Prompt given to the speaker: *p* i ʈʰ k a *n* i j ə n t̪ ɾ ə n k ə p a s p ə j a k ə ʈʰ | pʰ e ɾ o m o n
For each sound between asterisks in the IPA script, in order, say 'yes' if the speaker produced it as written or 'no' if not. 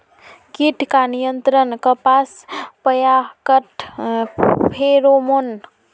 no, yes

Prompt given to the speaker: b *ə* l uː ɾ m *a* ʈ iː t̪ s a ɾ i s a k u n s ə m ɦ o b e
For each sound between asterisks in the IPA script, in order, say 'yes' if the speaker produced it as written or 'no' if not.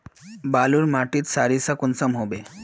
no, yes

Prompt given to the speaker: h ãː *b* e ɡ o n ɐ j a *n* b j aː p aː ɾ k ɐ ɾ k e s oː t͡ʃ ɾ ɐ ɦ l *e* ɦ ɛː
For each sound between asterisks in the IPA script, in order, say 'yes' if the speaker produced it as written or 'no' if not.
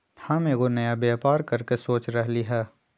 no, no, no

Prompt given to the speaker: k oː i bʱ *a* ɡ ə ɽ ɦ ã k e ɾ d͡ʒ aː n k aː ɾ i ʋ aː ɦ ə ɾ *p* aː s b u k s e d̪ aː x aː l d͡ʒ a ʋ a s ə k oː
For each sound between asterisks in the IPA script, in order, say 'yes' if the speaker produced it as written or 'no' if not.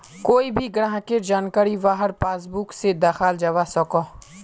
no, yes

